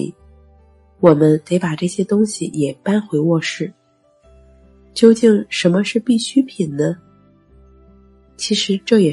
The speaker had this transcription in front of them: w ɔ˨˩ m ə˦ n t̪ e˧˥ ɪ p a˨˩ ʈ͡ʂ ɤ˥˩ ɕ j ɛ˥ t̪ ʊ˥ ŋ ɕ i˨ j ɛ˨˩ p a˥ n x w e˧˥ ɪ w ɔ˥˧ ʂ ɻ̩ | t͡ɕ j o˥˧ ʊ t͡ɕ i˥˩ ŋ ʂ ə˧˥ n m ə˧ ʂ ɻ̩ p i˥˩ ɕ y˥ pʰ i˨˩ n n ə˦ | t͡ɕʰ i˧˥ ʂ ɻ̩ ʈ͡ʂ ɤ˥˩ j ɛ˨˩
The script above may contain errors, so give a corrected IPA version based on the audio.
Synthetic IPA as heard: w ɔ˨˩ m ə˦ n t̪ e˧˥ ɪ p a˨˩ ʈ͡ʂ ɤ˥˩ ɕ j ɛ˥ t̪ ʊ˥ ŋ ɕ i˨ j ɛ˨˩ p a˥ n x w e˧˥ ɪ w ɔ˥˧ ʂ ɻ̩ | t͡ɕ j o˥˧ ʊ t͡ɕ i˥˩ ŋ ʂ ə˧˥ n m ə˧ ʂ ɻ̩ p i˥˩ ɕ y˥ pʰ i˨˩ n n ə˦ | t͡ɕʰ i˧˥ ʂ ɻ̩ ʈ͡ʂ ɤ˥˩ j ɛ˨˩